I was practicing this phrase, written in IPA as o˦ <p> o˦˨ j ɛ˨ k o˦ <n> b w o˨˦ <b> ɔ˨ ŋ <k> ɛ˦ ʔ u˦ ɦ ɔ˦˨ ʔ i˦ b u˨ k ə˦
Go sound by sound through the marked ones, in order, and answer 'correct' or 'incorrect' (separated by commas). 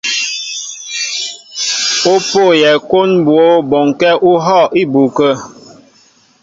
correct, correct, correct, correct